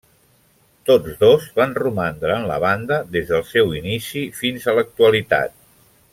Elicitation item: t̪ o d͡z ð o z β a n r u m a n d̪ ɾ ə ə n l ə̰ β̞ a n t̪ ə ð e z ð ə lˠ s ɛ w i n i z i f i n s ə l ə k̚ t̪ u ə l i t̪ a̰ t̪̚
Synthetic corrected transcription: t̪ o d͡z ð o z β a n r u m a n d̪ ɾ ə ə n l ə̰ β̞ a n d̪ ə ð e z ð ə lˠ s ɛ w i n i s i f i n z ə l ə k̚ t̪ u ə l i t̪ a̰ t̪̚